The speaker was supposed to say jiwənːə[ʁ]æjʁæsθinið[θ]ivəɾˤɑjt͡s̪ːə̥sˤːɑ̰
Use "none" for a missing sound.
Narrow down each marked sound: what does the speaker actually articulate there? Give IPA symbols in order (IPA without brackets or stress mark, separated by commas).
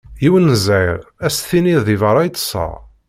z, ð